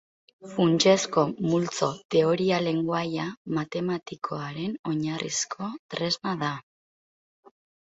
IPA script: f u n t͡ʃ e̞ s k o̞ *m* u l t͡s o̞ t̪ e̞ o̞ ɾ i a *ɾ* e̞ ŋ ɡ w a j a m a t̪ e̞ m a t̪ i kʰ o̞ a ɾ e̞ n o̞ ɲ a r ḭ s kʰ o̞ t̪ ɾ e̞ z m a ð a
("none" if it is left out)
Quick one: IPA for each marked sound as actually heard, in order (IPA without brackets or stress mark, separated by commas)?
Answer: m, l